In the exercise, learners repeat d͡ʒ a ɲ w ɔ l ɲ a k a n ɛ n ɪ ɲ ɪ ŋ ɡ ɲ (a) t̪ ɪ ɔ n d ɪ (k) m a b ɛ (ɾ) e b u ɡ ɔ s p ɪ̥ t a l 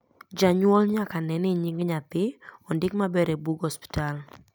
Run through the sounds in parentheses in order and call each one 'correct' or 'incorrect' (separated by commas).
correct, correct, correct